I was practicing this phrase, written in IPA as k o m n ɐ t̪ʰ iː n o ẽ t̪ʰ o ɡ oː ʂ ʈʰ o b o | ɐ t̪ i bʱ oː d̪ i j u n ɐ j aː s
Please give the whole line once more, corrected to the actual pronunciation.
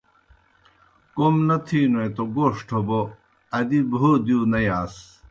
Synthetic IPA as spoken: k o m n ɐ t̪ʰ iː n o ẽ t̪ o ɡ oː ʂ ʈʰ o b o | ɐ d̪ i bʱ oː d̪ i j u n ɐ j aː s

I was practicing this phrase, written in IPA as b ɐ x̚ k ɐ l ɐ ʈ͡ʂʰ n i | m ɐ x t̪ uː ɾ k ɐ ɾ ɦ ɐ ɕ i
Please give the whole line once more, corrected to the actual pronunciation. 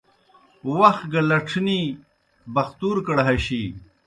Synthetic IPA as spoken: w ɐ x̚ ɡ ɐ l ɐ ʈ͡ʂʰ n i | b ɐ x t̪ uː ɾ k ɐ ɽ ɦ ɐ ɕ i

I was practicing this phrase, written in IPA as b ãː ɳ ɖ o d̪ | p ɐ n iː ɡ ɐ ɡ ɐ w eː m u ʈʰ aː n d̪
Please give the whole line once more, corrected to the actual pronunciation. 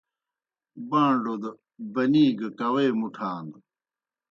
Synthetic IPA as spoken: b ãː ɳ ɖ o d̪ | b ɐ n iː ɡ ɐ k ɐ w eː m u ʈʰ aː n d̪

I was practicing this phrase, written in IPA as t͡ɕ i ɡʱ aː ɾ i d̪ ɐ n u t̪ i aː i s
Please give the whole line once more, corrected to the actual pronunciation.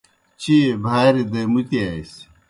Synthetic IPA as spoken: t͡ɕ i bʱ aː ɾ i d̪ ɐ m u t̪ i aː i s

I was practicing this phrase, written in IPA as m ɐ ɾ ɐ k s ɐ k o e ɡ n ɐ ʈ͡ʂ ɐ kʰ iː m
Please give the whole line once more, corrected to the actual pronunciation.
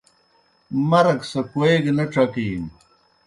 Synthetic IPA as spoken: m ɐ ɾ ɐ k s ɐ k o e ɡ n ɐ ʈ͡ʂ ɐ k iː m

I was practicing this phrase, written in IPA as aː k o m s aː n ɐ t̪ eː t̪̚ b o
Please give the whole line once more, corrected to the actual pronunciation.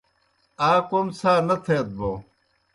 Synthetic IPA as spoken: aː k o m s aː n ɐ t̪ʰ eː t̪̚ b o

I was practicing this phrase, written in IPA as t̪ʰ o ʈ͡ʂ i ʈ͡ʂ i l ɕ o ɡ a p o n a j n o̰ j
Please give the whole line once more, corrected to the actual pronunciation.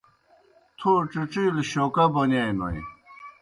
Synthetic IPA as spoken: t̪ʰ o ʈ͡ʂ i ʈ͡ʂ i l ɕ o k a b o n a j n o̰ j

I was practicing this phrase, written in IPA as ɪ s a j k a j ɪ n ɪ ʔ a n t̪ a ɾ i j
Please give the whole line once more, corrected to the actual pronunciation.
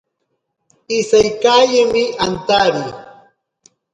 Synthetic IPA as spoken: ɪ s a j k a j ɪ m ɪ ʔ a n t̪ a ɾ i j

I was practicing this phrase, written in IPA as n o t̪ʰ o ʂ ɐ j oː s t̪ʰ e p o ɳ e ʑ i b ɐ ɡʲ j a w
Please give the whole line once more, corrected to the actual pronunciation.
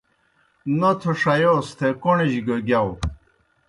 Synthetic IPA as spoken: n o t̪ʰ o ʂ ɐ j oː s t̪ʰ e k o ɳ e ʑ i ɡ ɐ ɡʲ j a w

